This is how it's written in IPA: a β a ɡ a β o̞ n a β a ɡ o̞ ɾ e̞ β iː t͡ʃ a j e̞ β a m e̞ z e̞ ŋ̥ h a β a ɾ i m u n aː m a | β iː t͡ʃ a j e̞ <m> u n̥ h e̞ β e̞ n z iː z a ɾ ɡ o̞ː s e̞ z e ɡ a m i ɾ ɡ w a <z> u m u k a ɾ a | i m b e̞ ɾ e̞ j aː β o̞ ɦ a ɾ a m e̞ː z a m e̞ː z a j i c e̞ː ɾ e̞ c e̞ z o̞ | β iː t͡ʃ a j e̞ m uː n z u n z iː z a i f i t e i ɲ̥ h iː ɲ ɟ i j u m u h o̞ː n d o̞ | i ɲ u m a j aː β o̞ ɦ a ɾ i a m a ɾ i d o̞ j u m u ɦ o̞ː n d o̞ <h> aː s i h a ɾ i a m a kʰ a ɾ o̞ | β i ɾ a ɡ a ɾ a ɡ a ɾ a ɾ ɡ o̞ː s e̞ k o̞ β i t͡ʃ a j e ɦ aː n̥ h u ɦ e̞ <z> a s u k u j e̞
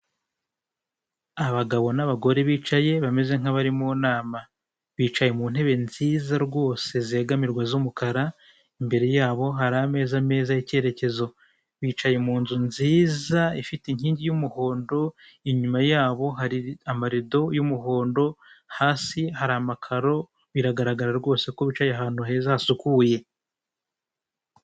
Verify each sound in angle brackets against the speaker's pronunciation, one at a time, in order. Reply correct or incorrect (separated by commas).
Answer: correct, correct, correct, correct